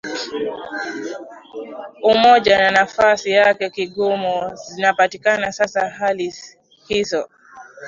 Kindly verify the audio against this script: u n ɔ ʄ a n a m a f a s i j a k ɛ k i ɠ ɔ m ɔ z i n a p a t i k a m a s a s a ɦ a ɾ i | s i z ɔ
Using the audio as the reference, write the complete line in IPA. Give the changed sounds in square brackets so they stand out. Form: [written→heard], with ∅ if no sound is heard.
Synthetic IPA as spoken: u [n→m] ɔ ʄ a n a [m→n] a f a s i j a k ɛ k i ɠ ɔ m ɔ z i n a p a t i k a [m→n] a s a s a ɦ a [ɾ→l] i | [s→h] i z ɔ